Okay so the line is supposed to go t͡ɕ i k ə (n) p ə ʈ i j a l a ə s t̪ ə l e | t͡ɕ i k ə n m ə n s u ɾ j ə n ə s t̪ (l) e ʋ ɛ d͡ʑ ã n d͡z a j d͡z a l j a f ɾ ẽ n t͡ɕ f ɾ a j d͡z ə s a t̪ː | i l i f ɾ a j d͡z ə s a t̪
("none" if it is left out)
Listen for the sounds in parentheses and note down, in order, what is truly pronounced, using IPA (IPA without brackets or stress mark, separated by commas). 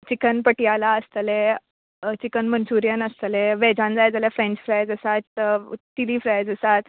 n, l